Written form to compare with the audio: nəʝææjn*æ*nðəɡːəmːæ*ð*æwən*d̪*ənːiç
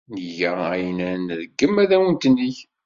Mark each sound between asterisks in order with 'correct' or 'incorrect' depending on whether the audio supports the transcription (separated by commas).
correct, correct, incorrect